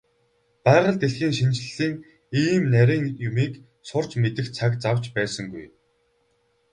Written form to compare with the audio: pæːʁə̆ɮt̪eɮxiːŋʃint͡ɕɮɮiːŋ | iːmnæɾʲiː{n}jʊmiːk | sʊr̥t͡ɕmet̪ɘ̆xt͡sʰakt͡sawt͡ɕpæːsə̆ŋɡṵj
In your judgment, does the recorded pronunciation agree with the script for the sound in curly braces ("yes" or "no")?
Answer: no